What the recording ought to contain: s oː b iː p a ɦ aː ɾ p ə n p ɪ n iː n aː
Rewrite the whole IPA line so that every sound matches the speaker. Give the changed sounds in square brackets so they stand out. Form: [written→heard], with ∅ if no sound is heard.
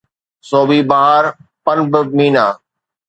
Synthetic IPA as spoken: s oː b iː [p→b] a ɦ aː ɾ p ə n [p→b] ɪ [n→m] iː n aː